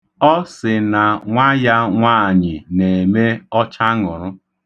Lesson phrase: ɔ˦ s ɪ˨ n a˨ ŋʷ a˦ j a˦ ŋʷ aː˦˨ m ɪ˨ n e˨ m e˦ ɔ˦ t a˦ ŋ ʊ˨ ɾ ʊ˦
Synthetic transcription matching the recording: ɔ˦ s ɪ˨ n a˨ ŋʷ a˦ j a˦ ŋʷ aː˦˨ ɲ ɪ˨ n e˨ m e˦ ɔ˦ t͡ʃ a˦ ŋ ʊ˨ ɾ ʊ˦